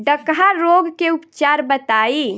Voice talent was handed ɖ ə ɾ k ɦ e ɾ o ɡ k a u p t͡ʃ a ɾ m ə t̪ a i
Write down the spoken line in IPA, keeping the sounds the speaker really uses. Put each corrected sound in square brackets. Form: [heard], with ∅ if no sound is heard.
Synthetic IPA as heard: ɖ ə [∅] k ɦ [a] ɾ o ɡ k [e] u p t͡ʃ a ɾ [b] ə t̪ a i